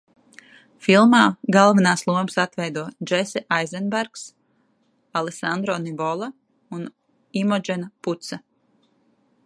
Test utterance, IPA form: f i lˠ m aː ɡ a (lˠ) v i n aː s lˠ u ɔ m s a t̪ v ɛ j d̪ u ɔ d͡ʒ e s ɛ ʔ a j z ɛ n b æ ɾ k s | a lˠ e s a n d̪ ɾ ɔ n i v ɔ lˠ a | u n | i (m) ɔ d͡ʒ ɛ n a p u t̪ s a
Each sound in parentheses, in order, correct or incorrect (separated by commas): correct, correct